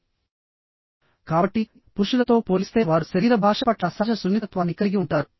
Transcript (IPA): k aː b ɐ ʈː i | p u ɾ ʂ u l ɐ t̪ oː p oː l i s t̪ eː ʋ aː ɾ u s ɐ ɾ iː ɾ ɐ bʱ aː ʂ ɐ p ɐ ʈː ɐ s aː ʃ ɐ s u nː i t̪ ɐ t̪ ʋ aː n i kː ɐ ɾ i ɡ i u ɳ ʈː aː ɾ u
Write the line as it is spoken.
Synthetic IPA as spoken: k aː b ɐ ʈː i | p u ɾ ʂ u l ɐ t̪ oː p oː l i s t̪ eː ʋ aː ɾ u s ɐ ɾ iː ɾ ɐ bʱ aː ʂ ɐ p ɐ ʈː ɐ s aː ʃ ɐ s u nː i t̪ ɐ t̪ ʋ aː n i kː ɐ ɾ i ɡ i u ɳ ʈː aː ɾ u